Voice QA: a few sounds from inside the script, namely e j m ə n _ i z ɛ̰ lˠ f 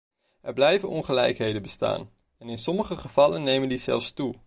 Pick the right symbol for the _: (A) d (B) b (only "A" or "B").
A